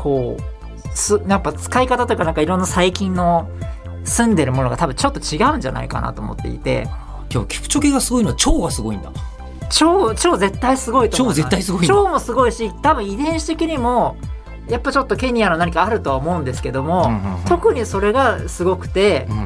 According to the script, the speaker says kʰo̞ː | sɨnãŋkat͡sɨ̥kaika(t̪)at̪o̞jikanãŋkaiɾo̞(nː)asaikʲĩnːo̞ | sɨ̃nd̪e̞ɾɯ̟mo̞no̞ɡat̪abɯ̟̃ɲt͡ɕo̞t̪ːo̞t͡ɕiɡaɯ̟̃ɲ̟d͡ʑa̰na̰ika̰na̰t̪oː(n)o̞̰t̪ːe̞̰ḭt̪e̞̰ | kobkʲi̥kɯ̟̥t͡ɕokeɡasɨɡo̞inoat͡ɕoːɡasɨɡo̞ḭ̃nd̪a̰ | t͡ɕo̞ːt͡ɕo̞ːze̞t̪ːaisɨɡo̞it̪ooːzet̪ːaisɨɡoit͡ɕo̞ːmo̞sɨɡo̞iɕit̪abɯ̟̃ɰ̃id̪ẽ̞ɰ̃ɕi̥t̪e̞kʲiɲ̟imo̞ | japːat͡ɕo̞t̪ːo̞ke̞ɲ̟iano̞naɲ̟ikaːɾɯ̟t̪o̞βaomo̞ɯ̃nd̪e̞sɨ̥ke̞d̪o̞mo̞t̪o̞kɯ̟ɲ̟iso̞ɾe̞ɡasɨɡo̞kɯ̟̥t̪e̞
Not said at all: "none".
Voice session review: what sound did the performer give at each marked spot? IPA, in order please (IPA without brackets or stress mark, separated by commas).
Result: t̪, nː, m